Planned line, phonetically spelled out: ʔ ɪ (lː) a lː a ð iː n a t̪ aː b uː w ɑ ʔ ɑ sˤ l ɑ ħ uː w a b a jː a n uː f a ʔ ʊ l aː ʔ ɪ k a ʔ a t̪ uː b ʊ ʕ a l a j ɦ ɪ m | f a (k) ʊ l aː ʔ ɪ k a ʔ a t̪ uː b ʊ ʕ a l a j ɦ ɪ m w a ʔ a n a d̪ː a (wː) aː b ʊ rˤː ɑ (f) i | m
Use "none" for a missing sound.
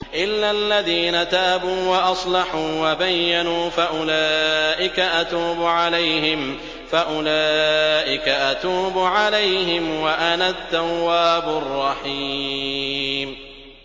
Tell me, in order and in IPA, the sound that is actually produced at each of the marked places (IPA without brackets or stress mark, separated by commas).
lː, ʔ, wː, ħ